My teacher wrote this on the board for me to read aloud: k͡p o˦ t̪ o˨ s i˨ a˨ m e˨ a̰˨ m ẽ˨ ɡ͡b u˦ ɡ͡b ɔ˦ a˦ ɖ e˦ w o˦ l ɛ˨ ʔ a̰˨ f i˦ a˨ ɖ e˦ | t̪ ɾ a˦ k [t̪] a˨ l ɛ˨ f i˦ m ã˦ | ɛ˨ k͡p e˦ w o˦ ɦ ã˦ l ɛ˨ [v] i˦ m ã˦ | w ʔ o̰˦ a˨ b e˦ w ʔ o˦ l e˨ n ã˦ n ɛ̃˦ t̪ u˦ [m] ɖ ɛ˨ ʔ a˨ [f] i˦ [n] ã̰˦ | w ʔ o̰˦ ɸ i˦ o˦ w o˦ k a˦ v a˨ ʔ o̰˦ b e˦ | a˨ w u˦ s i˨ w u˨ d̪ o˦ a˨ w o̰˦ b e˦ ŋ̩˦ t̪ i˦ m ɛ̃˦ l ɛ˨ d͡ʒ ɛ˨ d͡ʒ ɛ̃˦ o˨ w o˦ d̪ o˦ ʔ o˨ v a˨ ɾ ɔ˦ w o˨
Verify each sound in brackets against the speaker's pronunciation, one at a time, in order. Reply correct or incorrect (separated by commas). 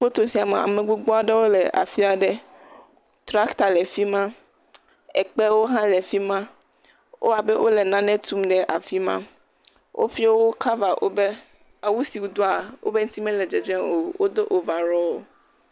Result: correct, incorrect, correct, correct, incorrect